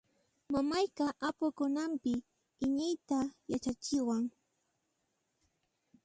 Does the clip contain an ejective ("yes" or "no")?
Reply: no